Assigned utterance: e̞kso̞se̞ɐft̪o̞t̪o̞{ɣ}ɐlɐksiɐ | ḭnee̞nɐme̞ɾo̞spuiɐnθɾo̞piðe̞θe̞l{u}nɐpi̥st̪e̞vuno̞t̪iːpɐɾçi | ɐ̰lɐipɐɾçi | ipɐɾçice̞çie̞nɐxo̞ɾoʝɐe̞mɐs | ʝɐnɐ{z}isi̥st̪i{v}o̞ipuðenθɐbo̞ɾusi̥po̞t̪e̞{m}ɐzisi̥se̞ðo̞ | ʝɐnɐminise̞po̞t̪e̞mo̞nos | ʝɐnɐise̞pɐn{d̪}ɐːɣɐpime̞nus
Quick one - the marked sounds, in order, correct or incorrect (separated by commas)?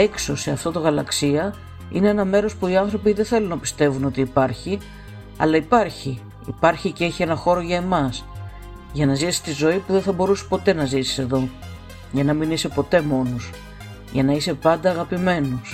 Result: correct, correct, correct, incorrect, incorrect, correct